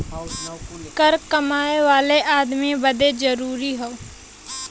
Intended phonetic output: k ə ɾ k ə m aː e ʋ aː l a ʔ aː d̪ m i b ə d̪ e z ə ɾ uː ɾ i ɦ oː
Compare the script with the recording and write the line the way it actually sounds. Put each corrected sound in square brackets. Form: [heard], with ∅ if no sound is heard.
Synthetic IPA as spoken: k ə ɾ k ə m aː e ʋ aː l [e] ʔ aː d̪ m i b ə d̪ e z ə ɾ uː ɾ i ɦ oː